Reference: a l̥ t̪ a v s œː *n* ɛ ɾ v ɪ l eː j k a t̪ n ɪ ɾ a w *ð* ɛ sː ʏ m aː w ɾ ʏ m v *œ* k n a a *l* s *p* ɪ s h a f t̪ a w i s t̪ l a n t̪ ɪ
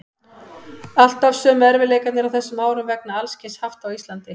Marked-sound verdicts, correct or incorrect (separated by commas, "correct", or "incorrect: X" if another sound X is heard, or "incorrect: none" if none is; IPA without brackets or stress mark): incorrect: m, incorrect: θ, incorrect: ɛ, correct, incorrect: c